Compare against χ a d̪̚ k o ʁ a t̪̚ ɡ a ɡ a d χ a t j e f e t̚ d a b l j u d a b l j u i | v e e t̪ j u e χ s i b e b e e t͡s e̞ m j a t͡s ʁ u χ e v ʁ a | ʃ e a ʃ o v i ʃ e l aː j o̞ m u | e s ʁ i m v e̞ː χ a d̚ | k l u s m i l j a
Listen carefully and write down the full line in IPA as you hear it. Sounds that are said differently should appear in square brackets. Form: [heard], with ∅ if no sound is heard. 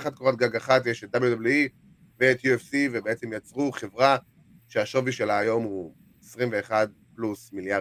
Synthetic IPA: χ a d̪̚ k o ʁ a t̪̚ ɡ a ɡ a [∅] χ a t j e [ʃ] e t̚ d a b l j u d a b l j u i | v e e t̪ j u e [f] s i [v] e b e e t͡s e̞ m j a t͡s ʁ u χ e v ʁ a | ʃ e a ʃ o v i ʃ e l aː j o̞ m u | e s ʁ i m v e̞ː χ a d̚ | [p] l u s m i l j a